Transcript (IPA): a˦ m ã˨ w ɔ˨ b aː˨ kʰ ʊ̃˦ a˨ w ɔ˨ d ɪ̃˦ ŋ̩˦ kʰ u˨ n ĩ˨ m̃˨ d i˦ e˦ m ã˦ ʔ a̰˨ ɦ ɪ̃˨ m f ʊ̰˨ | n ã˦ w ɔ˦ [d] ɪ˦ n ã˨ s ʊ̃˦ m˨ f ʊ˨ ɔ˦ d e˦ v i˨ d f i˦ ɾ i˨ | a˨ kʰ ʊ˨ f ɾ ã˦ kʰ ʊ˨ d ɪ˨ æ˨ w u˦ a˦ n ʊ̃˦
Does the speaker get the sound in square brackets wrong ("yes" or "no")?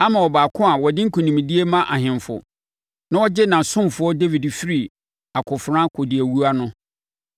yes